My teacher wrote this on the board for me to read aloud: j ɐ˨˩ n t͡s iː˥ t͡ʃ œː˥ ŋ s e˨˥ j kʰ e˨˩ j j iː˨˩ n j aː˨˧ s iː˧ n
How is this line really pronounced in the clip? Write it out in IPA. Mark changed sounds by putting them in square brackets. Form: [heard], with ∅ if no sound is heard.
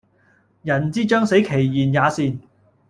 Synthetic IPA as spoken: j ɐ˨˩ n t͡s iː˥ t͡ʃ œː˥ ŋ s e˨˥ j kʰ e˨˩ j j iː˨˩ n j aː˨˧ s iː˧ n